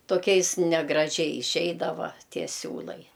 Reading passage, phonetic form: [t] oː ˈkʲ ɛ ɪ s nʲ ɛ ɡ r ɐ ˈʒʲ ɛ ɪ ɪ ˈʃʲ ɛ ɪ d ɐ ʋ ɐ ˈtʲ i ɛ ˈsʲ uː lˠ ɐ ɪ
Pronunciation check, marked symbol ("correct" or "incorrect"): correct